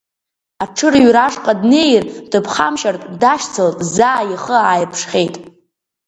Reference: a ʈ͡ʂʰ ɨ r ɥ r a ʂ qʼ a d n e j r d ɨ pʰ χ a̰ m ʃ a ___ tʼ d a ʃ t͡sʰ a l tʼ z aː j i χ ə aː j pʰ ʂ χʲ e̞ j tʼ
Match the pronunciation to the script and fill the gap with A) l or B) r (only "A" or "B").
B